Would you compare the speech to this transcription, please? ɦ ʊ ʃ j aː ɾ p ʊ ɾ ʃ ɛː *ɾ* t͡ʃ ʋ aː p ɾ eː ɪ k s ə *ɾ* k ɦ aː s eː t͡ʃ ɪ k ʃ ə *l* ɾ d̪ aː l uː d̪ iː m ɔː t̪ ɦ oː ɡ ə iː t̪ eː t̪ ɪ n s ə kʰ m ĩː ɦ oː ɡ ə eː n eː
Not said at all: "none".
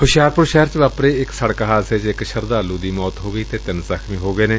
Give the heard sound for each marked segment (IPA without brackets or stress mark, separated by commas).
ɾ, ɽ, none